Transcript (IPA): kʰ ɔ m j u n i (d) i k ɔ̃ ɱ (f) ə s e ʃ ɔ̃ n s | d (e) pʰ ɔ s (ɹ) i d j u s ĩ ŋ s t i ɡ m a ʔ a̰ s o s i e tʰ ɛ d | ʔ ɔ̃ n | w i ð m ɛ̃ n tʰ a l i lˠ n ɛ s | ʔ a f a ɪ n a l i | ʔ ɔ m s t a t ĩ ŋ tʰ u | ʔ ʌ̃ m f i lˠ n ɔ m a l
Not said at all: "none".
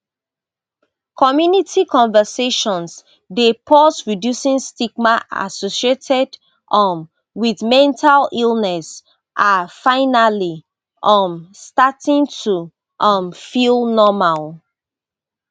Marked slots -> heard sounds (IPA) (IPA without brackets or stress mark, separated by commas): t, v, e, ɹ